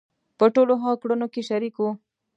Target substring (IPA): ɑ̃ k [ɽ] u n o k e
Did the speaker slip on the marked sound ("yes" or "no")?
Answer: no